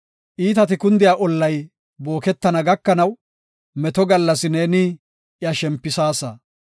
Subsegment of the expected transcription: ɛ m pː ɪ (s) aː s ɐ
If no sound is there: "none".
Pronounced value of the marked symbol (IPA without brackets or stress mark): s